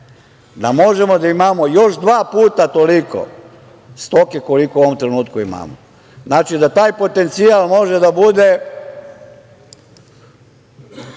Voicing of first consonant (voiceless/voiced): voiced